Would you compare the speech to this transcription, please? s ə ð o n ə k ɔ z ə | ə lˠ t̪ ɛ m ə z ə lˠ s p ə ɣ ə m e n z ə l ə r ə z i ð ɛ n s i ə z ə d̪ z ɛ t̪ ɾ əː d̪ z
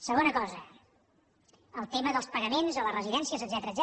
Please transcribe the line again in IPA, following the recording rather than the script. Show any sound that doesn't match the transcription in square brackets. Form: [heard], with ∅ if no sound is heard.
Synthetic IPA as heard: s ə [ɣ] o n ə k ɔ z ə | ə lˠ t̪ [e] m ə [ð] ə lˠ s p ə ɣ ə m e n z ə l ə r ə z i ð ɛ n s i ə z ə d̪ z ɛ t̪ ɾ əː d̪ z